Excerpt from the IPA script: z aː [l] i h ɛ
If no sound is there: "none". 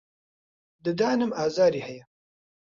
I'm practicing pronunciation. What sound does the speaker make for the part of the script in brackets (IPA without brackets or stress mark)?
ɾ